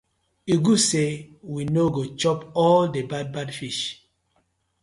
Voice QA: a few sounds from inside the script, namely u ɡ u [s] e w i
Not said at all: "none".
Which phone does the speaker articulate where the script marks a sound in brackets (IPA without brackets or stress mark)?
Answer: s